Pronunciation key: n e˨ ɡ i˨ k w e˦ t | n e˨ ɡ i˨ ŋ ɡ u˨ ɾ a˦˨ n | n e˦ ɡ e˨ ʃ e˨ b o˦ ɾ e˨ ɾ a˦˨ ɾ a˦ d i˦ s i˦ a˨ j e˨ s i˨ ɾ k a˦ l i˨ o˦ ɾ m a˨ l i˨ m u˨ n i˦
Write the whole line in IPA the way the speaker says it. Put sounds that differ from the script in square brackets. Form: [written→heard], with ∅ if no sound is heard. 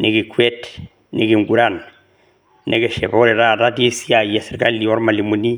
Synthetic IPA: n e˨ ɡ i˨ k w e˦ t | n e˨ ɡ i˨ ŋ ɡ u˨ ɾ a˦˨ n | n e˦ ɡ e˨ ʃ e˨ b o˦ ɾ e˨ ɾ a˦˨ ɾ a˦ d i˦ s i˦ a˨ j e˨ s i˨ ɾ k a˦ l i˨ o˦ ɾ m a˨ l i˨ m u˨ n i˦